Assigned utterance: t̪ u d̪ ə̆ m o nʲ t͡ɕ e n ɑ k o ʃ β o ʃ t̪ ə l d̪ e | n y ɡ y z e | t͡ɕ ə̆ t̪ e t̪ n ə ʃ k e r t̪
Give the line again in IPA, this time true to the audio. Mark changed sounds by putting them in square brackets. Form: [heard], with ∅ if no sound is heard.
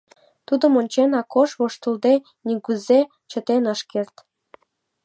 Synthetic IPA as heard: t̪ u d̪ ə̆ m o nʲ t͡ɕ e n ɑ k o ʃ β o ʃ t̪ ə l d̪ e | n [i] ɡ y z e | t͡ɕ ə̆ t̪ e [∅] n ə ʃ k e r t̪